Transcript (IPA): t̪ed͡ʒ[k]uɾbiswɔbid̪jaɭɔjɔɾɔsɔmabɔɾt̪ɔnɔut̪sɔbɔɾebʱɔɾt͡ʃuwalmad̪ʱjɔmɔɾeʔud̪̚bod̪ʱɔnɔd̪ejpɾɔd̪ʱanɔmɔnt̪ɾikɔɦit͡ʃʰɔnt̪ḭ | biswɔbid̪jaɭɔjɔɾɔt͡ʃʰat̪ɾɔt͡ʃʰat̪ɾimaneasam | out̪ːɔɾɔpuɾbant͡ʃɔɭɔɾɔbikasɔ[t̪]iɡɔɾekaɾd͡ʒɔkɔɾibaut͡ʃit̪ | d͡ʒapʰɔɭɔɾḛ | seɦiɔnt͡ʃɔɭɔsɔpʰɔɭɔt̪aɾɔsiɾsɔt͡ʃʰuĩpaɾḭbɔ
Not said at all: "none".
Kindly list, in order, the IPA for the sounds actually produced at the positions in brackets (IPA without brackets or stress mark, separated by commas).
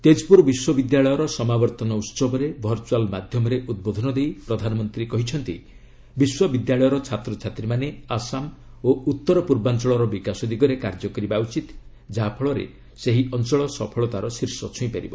p, d̪